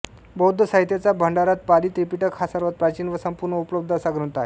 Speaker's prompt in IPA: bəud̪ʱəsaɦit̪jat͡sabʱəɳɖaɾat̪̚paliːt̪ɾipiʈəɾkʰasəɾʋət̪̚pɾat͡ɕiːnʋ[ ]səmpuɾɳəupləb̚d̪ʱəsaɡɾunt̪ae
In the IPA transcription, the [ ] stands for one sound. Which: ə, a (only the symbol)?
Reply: ə